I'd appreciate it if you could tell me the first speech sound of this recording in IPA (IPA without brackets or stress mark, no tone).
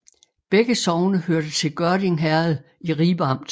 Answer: b̥